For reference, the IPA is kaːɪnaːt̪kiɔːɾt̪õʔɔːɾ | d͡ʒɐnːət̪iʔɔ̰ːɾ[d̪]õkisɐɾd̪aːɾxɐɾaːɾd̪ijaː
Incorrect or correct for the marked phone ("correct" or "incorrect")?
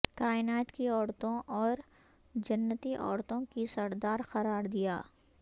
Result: incorrect